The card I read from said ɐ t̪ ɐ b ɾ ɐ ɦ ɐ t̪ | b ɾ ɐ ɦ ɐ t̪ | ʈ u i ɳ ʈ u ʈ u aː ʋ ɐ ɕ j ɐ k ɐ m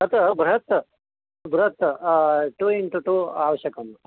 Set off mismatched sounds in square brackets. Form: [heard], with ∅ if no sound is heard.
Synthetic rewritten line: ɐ t̪ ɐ b ɾ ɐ ɦ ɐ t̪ | b ɾ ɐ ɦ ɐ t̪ | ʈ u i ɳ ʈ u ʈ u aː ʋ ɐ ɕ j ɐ k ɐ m